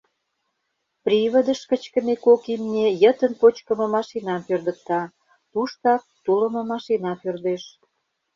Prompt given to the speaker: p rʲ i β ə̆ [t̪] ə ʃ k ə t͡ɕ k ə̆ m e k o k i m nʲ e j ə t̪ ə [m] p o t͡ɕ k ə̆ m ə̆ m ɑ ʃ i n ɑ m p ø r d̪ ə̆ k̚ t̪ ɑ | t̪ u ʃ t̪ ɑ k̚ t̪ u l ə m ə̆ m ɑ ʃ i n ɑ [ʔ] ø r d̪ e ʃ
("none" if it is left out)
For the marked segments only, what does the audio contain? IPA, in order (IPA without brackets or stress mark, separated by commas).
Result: d̪, n, p